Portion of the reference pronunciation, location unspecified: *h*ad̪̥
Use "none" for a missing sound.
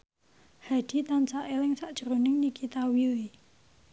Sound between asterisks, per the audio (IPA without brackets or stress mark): h